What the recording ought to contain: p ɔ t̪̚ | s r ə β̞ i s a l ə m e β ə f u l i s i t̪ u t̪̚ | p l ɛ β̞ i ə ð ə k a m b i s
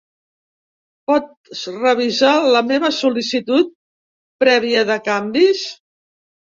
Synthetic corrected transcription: p ɔ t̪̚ | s r ə β̞ i z a l ə m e β ə s u l i s i t̪ u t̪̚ | p ɾ ɛ β̞ i ə ð ə k a m b i s